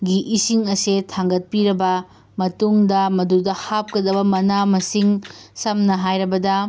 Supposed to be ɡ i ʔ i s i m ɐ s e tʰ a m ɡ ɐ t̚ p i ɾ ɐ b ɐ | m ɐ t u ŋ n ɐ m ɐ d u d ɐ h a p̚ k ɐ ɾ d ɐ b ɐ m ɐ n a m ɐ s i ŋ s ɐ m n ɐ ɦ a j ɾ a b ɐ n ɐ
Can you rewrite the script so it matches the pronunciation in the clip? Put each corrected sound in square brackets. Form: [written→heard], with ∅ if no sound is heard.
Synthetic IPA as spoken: ɡ i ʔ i s i [m→ŋ] ɐ s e tʰ a [m→ŋ] ɡ ɐ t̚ p i ɾ ɐ b ɐ | m ɐ t u ŋ [n→d] ɐ m ɐ d u d ɐ h a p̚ k ɐ [ɾ→∅] d ɐ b ɐ m ɐ n a m ɐ s i ŋ s ɐ m n ɐ ɦ a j ɾ [a→ɐ] b ɐ [n→d] ɐ

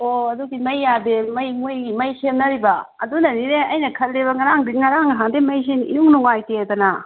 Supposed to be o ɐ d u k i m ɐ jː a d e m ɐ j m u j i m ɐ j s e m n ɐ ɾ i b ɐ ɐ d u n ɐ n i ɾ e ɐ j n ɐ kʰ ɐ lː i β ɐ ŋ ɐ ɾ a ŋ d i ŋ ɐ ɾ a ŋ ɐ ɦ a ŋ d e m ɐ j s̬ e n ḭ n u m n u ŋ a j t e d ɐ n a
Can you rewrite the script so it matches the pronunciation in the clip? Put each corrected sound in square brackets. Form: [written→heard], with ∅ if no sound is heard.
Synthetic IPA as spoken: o ɐ d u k i m ɐ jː a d e m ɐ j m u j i m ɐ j s e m n ɐ ɾ i b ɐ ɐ d u n ɐ n i ɾ e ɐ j n ɐ kʰ ɐ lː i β ɐ ŋ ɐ ɾ a ŋ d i ŋ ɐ ɾ a ŋ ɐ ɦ a ŋ d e m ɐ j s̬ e n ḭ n u [m→ŋ] n u ŋ a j t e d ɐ n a

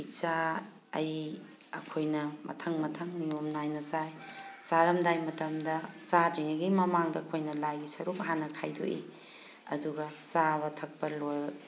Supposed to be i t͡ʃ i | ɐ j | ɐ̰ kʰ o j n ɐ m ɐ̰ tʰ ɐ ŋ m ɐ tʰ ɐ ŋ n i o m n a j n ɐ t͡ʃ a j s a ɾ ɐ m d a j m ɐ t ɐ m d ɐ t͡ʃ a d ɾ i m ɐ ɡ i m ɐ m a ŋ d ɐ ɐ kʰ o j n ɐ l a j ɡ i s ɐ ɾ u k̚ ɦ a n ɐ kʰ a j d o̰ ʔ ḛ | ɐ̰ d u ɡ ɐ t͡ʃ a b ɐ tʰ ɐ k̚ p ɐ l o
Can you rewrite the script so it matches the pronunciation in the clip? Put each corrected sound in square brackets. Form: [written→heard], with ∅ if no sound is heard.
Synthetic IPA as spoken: i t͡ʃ [i→a] | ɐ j | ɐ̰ kʰ o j n ɐ m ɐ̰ tʰ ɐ ŋ m ɐ tʰ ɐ ŋ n i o m n a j n ɐ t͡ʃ a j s a ɾ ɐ m d a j m ɐ t ɐ m d ɐ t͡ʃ a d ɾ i [m→ŋ] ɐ ɡ i m ɐ m a ŋ d ɐ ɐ kʰ o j n ɐ l a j ɡ i s ɐ ɾ u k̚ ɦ a n ɐ kʰ a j d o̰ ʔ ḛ | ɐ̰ d u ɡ ɐ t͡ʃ a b ɐ tʰ ɐ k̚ p ɐ l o

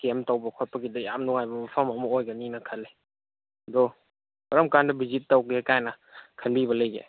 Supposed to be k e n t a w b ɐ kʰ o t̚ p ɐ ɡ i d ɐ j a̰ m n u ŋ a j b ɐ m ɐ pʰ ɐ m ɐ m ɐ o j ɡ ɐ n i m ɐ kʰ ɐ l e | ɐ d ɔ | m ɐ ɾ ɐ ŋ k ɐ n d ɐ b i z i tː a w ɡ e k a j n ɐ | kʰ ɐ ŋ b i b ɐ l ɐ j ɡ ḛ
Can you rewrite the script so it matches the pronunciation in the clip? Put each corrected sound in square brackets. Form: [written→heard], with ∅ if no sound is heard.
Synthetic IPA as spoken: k e [n→m] t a w b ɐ kʰ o t̚ p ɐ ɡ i d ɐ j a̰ m n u ŋ a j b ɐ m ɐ pʰ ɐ m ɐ m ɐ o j ɡ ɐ n i [m→n] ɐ kʰ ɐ l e | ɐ d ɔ | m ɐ ɾ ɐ [ŋ→m] k [ɐ→a] n d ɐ b i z i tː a w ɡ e k a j n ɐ | kʰ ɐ [ŋ→n] b i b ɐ l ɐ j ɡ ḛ

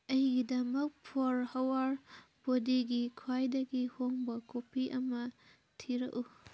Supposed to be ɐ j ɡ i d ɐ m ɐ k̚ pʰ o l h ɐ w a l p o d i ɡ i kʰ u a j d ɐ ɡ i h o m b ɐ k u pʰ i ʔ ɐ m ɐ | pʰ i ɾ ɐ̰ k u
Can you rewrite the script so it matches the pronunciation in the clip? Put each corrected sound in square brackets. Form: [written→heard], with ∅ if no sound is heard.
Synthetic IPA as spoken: ɐ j ɡ i d ɐ m ɐ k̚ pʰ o [l→ɾ] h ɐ w a [l→ɾ] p o d i ɡ i kʰ [u→w] a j d ɐ ɡ i h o [m→ŋ] b ɐ k [u→o] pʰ i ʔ ɐ m ɐ | [pʰ→tʰ] i ɾ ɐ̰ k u

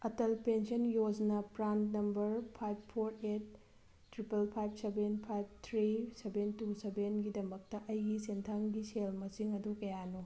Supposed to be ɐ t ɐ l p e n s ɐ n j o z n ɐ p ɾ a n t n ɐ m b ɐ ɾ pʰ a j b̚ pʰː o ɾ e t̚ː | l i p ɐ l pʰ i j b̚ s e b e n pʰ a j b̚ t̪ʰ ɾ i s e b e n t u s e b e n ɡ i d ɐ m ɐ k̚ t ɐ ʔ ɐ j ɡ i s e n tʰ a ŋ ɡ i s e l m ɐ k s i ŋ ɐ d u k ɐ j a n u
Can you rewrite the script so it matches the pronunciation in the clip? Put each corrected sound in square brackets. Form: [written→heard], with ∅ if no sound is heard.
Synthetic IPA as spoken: ɐ t ɐ l p e n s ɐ n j o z n ɐ p ɾ a n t n ɐ m b ɐ ɾ pʰ a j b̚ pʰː o ɾ e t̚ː | [l→ɾ] i p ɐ l pʰ [i→a] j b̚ s e b e n pʰ a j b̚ t̪ʰ ɾ i s e b e n t u s e b e n ɡ i d ɐ m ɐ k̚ t ɐ ʔ ɐ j ɡ i s e n tʰ a ŋ ɡ i s e l m ɐ [k→∅] s i ŋ ɐ d u k ɐ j a n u

